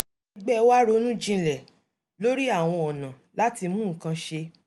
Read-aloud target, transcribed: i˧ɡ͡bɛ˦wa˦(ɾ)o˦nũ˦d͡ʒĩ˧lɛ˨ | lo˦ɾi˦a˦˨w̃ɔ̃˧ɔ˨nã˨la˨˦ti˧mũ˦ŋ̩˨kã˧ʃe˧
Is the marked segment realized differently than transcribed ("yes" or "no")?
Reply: no